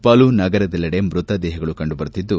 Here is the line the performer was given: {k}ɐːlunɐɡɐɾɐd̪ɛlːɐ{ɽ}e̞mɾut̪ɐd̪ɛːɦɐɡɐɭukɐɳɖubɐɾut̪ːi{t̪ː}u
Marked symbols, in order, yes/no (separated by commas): no, yes, no